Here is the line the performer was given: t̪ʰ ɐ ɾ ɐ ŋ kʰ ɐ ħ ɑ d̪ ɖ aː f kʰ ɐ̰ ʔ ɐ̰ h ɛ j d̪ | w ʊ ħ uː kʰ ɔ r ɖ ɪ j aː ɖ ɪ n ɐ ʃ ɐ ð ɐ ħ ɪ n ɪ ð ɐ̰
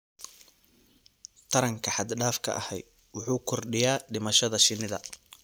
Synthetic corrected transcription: t̪ʰ ɐ ɾ ɐ ŋ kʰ ɐ ħ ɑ d̪ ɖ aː f kʰ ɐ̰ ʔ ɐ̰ h ɛ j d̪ | w ʊ ħ uː kʰ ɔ r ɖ ɪ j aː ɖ ɪ m ɐ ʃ ɐ ð ɐ ʃ ɪ n ɪ ð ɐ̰